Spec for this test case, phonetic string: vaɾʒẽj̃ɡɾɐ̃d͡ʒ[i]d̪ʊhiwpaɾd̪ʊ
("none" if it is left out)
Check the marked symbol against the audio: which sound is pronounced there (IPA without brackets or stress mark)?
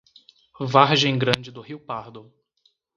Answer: ɪ